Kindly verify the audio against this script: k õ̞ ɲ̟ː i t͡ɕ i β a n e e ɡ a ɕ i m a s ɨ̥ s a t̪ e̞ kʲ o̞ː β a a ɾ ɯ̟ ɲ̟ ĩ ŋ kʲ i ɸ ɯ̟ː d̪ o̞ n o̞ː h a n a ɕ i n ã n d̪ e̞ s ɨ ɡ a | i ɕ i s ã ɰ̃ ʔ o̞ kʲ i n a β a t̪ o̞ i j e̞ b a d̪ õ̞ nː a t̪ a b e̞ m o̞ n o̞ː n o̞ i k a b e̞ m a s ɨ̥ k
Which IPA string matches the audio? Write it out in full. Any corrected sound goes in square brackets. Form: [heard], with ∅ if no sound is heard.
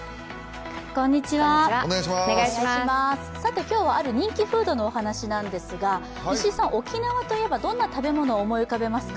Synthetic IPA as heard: k õ̞ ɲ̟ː i t͡ɕ i β a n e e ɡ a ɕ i m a s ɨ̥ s a t̪ e̞ kʲ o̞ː β a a ɾ ɯ̟ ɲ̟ ĩ ŋ kʲ i ɸ ɯ̟ː d̪ o̞ n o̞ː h a n a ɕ i n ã n d̪ e̞ s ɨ ɡ a | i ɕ i s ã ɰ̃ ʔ o̞ kʲ i n a β a t̪ o̞ i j e̞ b a d̪ õ̞ nː a t̪ a b e̞ m o̞ n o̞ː [m] o̞ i k a b e̞ m a s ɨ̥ k